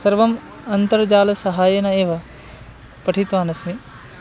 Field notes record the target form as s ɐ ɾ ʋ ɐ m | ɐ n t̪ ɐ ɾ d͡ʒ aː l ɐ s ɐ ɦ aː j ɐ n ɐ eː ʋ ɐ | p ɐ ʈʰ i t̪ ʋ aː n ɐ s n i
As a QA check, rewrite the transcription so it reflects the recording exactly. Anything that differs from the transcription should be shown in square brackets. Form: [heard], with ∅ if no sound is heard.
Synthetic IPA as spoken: s ɐ ɾ ʋ ɐ m | ɐ n t̪ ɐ ɾ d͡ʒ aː l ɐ s ɐ ɦ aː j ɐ n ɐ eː ʋ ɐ | p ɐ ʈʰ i t̪ ʋ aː n ɐ s [m] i

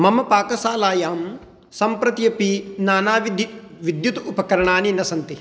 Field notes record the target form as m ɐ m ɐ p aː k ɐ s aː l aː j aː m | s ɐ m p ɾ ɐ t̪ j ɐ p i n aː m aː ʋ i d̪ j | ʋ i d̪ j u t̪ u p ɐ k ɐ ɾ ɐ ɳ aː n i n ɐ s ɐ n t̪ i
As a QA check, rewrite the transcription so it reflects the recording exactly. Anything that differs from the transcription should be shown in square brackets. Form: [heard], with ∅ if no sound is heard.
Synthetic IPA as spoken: m ɐ m ɐ p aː k ɐ s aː l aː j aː m | s ɐ m p ɾ ɐ t̪ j ɐ p i n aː [n] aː ʋ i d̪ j | ʋ i d̪ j u t̪ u p ɐ k ɐ ɾ ɐ ɳ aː n i n ɐ s ɐ n t̪ i

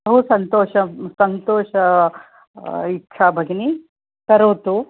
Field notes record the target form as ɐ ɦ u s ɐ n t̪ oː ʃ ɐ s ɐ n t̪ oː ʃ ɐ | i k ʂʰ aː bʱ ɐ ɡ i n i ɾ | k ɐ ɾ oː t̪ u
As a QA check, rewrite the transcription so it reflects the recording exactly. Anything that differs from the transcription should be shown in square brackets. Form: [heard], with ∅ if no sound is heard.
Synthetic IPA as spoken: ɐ ɦ u s ɐ n t̪ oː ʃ ɐ s ɐ n t̪ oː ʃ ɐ | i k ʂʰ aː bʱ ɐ ɡ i n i [∅] | k ɐ ɾ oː t̪ u

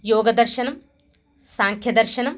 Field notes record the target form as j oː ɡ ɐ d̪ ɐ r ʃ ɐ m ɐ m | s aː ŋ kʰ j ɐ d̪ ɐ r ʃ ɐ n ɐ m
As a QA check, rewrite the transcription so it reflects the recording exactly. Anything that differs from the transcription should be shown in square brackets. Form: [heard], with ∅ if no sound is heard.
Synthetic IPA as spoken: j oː ɡ ɐ d̪ ɐ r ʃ ɐ [n] ɐ m | s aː ŋ kʰ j ɐ d̪ ɐ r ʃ ɐ n ɐ m

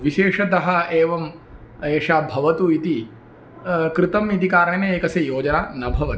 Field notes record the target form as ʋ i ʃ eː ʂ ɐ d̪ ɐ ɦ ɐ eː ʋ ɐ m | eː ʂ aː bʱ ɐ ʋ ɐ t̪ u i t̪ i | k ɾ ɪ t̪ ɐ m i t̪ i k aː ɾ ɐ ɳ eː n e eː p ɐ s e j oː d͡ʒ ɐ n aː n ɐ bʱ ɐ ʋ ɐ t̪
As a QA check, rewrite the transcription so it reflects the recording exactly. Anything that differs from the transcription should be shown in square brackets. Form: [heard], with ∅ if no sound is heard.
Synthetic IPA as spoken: ʋ i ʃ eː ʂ ɐ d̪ ɐ ɦ ɐ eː ʋ ɐ m | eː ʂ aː bʱ ɐ ʋ ɐ t̪ u i t̪ i | k ɾ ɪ t̪ ɐ m i t̪ i k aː ɾ ɐ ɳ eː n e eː [k] ɐ s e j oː d͡ʒ ɐ n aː n ɐ bʱ ɐ ʋ ɐ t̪

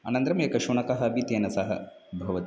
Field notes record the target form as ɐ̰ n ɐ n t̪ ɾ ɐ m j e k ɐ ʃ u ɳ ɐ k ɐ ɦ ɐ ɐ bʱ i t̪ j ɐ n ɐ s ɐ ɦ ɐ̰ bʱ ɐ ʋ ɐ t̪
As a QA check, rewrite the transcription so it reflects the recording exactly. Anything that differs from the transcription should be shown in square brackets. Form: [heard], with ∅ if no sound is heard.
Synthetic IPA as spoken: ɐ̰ n ɐ n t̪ ɾ ɐ m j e k ɐ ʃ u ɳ ɐ k ɐ ɦ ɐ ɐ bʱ i t̪ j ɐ n ɐ s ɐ ɦ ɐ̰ bʱ ɐ ʋ ɐ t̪

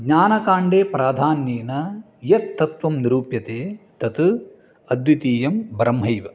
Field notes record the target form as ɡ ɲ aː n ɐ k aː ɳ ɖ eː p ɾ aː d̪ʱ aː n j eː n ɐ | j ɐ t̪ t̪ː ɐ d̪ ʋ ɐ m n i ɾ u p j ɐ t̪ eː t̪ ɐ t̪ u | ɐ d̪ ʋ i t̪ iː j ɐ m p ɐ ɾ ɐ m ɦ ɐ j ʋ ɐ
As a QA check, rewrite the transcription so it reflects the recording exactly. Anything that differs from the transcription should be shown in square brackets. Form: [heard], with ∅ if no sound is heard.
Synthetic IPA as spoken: ɡ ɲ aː n ɐ k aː ɳ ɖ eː p ɾ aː d̪ʱ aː n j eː n ɐ | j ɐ t̪ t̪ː ɐ [t̪] ʋ ɐ m n i ɾ [uː] p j ɐ t̪ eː t̪ ɐ t̪ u | ɐ d̪ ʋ i t̪ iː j ɐ m [b] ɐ ɾ ɐ m ɦ ɐ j ʋ ɐ

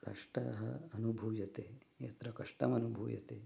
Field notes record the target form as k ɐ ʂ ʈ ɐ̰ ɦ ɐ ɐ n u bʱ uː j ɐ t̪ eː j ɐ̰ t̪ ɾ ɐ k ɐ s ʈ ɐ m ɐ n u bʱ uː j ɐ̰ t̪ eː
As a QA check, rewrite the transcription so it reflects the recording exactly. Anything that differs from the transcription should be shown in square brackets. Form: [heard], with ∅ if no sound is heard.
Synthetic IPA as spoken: k ɐ ʂ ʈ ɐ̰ ɦ ɐ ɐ n u bʱ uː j ɐ t̪ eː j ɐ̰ t̪ ɾ ɐ k ɐ [ʂ] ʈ ɐ m ɐ n u bʱ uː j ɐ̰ t̪ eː

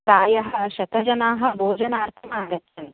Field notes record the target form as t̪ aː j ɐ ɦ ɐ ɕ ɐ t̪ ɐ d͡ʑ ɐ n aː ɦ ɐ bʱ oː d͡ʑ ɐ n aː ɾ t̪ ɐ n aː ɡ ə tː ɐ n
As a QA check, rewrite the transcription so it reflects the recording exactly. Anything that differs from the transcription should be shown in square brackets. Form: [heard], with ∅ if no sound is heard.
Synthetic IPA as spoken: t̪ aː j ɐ ɦ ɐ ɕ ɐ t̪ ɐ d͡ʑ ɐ n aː ɦ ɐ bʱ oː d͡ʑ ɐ n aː ɾ [t̪ʰ] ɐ [m] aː ɡ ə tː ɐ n

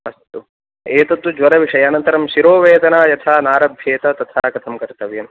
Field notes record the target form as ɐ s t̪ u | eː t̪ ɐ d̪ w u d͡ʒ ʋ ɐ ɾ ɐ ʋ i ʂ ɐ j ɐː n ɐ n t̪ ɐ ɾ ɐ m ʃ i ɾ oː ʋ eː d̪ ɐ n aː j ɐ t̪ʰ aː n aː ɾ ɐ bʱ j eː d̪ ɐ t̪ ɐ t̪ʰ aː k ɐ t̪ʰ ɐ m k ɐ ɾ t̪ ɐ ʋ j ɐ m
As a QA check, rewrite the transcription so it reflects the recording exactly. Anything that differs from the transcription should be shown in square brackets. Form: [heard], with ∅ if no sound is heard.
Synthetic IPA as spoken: ɐ s t̪ u | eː t̪ ɐ [t̪] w u d͡ʒ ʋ ɐ ɾ ɐ ʋ i ʂ ɐ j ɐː n ɐ n t̪ ɐ ɾ ɐ m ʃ i ɾ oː ʋ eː d̪ ɐ n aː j ɐ t̪ʰ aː n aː ɾ ɐ bʱ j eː [t̪] ɐ t̪ ɐ t̪ʰ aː k ɐ t̪ʰ ɐ m k ɐ ɾ t̪ ɐ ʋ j ɐ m

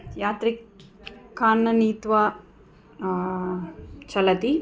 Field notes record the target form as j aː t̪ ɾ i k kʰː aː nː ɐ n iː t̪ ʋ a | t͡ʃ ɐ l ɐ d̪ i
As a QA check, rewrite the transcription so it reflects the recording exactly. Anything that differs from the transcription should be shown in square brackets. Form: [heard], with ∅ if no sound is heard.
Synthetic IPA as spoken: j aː t̪ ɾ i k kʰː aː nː ɐ n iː t̪ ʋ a | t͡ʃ ɐ l ɐ [t̪] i

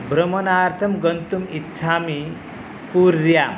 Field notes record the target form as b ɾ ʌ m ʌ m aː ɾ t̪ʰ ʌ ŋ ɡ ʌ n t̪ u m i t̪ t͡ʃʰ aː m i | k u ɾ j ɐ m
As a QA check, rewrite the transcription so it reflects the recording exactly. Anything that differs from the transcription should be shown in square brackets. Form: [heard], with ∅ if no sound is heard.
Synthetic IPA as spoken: b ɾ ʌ m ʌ [n] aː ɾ t̪ʰ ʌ [m] ɡ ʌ n t̪ u m i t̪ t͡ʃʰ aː m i | k u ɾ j [a] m

